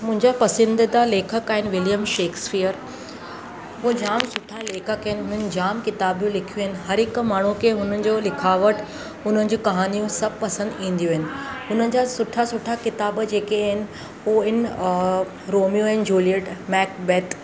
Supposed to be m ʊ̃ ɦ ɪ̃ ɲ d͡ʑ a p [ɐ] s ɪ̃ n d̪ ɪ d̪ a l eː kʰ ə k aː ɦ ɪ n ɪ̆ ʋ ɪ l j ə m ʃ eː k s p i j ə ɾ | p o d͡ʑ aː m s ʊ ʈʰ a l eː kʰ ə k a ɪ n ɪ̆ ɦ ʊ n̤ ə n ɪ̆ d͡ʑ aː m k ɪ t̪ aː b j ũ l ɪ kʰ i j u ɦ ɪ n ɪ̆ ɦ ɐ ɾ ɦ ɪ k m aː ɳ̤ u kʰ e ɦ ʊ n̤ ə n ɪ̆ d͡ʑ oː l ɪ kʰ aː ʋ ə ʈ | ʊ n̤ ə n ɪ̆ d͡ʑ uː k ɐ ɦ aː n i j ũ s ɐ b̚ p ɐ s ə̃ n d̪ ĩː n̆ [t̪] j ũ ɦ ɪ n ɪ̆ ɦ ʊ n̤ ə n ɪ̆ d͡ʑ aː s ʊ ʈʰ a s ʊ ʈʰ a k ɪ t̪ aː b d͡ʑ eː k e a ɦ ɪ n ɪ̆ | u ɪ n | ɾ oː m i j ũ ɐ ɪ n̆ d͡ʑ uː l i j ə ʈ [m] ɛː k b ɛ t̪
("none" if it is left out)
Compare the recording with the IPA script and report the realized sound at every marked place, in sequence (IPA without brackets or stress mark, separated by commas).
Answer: ɐ, d̪, m